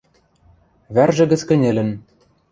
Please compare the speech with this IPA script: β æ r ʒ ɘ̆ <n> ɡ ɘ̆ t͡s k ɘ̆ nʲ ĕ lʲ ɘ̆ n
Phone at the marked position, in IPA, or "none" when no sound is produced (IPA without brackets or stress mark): none